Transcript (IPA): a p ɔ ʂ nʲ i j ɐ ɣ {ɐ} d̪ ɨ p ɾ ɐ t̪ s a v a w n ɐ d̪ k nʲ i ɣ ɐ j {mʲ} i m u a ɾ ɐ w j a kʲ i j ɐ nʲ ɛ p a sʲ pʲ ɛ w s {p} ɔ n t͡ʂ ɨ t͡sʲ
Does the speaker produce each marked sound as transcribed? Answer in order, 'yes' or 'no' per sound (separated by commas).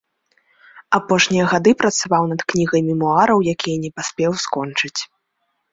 no, yes, no